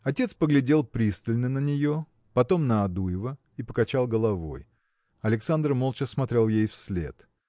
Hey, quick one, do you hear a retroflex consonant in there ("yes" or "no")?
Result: no